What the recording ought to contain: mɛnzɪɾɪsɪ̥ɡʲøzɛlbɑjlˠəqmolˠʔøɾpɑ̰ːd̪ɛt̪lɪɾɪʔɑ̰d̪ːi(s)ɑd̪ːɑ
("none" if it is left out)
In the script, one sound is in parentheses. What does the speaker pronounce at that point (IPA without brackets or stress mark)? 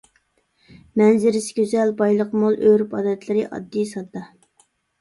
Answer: s